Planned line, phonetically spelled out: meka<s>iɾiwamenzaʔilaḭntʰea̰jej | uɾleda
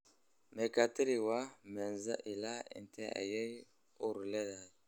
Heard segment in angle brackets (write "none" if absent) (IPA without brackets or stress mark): t